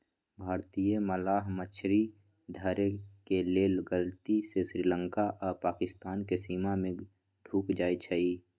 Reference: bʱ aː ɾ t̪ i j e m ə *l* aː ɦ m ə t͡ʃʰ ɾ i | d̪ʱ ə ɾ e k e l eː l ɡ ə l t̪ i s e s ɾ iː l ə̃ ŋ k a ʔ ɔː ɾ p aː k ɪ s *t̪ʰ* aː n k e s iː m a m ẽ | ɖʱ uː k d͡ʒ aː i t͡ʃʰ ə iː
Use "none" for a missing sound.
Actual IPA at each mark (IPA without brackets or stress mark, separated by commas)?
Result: l, t̪